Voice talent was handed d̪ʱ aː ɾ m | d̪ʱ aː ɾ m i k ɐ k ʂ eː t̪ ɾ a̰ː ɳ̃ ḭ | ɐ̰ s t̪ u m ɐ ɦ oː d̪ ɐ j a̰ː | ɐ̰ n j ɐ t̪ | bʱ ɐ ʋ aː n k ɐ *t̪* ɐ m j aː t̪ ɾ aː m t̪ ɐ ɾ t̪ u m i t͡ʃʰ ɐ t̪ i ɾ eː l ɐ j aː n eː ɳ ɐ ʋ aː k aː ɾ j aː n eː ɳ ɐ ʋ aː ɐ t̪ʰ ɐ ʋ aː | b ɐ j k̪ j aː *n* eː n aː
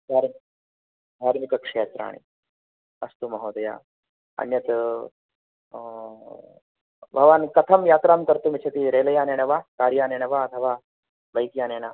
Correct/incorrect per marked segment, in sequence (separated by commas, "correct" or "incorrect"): incorrect, correct